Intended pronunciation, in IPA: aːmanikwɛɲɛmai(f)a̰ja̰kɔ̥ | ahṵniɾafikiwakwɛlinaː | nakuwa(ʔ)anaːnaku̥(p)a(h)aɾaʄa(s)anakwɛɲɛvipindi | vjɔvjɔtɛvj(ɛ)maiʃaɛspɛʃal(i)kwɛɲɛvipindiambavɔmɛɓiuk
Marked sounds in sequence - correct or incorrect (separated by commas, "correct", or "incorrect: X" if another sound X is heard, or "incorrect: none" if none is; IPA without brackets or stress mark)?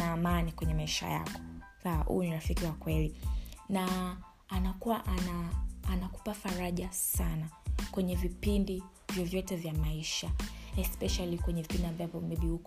incorrect: ʃ, correct, correct, incorrect: f, correct, incorrect: a, correct